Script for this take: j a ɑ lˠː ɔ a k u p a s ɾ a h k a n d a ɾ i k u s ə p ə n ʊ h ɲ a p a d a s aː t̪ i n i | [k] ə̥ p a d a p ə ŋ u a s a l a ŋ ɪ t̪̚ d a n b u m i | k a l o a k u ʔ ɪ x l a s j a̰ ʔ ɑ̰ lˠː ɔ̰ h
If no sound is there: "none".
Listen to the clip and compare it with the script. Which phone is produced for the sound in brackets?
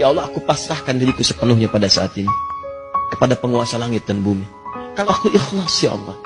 k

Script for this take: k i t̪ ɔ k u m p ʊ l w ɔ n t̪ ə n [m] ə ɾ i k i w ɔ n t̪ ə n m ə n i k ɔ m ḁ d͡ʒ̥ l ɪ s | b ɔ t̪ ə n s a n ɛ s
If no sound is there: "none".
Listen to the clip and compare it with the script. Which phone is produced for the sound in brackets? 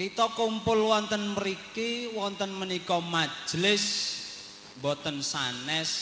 m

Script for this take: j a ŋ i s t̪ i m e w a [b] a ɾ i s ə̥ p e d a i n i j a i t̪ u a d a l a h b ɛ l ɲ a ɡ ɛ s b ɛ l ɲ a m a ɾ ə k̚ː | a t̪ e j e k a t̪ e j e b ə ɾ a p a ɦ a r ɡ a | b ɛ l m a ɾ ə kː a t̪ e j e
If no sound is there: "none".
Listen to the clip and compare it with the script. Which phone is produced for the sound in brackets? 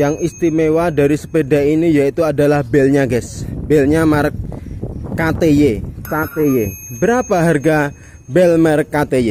d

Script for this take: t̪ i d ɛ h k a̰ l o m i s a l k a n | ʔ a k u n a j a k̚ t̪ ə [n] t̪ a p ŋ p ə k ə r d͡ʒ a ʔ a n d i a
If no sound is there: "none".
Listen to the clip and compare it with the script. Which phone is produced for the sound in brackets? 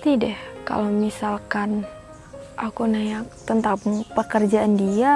n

